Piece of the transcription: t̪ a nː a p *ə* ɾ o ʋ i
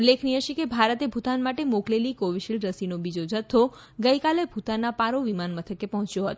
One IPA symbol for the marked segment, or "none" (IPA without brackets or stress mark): a